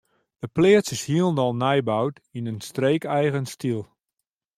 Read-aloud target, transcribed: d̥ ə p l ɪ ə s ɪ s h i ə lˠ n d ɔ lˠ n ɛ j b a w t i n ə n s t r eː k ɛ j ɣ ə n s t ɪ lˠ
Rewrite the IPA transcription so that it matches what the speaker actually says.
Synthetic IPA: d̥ ə p l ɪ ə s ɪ s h i ə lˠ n d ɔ lˠ n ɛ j b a w t i n ə n s t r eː k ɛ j ɣ ə n s t i lˠ